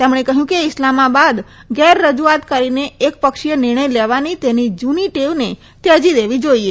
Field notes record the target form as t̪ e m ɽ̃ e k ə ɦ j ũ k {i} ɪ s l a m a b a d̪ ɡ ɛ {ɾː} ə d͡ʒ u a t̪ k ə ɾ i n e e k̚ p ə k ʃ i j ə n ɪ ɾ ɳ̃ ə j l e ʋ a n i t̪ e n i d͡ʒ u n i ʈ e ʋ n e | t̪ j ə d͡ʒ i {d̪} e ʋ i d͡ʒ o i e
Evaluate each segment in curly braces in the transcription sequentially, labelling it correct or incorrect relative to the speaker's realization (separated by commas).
incorrect, correct, correct